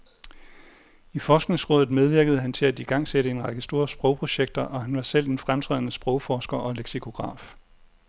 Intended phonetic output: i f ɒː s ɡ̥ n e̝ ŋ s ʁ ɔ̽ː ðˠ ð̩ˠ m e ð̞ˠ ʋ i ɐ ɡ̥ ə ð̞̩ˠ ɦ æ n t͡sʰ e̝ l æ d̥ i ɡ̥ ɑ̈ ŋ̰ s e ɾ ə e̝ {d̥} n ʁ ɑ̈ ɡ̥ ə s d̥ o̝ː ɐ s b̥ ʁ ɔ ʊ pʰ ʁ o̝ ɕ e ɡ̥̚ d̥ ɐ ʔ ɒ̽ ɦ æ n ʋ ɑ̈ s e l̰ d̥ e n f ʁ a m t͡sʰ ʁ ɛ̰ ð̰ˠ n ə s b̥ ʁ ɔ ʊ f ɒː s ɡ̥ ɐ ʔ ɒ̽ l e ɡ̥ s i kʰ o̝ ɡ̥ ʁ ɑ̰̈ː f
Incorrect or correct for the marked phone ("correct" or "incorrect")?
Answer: incorrect